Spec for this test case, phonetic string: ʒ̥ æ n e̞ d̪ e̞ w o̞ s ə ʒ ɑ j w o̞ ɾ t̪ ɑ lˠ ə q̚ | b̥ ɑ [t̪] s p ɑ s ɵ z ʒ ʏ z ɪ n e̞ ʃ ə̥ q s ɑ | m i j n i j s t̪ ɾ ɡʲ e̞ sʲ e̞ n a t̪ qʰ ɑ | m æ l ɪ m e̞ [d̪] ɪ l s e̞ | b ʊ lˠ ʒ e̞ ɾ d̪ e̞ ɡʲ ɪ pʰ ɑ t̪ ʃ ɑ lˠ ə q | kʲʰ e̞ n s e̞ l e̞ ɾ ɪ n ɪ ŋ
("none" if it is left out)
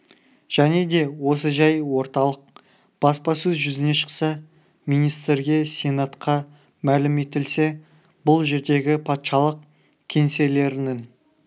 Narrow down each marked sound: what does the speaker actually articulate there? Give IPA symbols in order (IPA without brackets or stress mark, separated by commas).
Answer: none, t̪